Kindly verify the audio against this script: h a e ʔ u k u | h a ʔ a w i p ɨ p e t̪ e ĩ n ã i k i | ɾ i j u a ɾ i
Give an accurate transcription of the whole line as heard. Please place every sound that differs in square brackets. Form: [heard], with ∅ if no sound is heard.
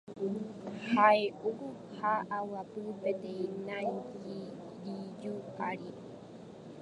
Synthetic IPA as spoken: h a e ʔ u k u | h a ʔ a w [a] p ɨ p e t̪ e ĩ n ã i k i | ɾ i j u a ɾ i